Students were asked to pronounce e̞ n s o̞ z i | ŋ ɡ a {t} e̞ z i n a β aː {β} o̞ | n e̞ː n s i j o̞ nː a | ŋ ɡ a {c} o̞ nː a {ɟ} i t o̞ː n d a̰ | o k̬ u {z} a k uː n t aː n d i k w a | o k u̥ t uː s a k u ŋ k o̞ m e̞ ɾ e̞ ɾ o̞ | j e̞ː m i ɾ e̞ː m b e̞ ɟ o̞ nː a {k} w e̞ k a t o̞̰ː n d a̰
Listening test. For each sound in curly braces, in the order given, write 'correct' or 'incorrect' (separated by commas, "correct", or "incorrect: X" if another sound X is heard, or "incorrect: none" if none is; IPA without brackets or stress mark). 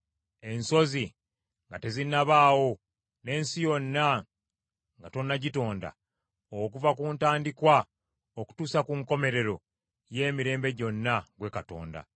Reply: correct, incorrect: w, incorrect: t, correct, incorrect: v, incorrect: ɡ